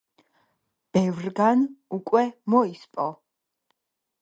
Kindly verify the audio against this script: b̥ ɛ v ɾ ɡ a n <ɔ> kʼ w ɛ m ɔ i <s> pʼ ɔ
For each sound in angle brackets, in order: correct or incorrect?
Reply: incorrect, correct

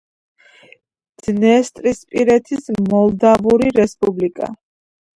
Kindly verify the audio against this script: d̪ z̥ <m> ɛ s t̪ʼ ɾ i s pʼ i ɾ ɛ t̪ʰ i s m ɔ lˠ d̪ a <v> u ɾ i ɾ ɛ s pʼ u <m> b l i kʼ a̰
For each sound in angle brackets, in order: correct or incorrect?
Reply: incorrect, correct, incorrect

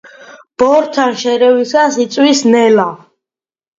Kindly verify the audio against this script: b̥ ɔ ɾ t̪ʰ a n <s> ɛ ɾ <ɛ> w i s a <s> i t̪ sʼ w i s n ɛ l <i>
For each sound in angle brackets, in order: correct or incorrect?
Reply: incorrect, correct, correct, incorrect

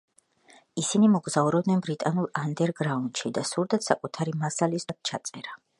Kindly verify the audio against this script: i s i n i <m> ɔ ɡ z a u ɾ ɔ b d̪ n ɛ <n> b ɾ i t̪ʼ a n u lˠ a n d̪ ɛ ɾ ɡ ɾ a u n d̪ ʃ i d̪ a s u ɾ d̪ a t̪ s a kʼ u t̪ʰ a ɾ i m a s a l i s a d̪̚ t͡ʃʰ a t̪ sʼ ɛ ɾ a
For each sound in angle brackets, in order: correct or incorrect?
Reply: correct, correct

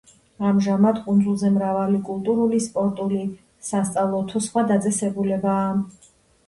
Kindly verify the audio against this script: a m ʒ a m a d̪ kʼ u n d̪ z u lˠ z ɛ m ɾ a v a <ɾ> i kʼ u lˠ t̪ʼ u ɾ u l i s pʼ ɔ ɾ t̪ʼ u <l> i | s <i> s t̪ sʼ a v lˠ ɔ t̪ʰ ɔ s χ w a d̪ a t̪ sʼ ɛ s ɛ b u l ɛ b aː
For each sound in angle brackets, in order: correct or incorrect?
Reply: incorrect, correct, incorrect

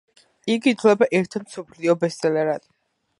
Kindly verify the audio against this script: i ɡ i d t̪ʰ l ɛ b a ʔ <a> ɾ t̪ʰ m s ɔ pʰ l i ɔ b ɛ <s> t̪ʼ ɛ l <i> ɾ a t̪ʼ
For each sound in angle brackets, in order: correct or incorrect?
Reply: incorrect, correct, incorrect

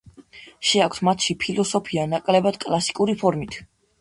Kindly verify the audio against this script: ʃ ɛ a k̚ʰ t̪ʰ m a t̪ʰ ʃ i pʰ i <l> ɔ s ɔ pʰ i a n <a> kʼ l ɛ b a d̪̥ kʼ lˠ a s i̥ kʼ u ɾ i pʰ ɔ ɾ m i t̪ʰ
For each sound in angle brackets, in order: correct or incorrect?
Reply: correct, correct

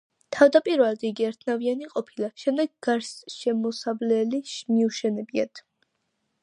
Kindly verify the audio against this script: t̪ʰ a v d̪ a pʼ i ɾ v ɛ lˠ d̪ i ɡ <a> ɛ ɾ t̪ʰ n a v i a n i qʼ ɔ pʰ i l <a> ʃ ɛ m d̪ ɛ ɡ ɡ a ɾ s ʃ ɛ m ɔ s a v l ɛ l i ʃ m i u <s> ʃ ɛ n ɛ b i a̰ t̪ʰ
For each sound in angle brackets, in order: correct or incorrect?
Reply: incorrect, correct, incorrect

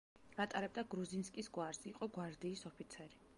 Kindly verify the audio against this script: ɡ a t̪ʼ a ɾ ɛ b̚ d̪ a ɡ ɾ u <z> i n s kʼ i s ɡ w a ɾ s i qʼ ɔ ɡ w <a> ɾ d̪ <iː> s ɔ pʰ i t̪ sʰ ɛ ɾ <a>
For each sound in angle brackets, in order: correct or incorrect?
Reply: correct, correct, correct, incorrect

